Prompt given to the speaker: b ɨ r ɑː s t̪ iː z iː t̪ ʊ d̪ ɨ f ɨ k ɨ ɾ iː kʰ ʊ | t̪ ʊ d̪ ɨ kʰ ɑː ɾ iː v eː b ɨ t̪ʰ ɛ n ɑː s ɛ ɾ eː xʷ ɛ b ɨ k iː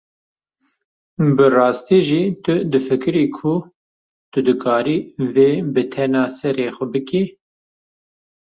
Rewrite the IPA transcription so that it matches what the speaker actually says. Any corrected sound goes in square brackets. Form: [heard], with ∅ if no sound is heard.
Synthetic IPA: b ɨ r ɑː s t̪ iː [ʒ] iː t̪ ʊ d̪ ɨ f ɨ k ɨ ɾ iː kʰ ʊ | t̪ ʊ d̪ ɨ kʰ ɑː ɾ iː v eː b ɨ t̪ʰ ɛ n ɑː s ɛ ɾ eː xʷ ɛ b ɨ k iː